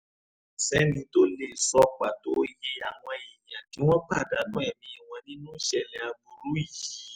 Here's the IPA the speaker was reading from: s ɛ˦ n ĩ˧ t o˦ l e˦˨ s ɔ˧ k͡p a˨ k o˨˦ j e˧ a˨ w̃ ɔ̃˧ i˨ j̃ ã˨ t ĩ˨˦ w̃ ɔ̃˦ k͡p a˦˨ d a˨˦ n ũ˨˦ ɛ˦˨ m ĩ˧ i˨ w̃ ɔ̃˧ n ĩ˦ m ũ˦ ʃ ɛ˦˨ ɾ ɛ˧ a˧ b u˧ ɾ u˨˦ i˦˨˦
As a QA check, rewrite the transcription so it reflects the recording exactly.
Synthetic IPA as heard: s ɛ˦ n ĩ˧ t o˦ l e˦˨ s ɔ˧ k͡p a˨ t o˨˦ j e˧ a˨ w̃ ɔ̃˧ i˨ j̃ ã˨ t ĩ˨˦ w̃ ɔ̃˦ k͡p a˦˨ d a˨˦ n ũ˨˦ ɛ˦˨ m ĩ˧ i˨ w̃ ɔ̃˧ n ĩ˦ n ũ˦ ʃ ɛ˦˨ l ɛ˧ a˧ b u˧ ɾ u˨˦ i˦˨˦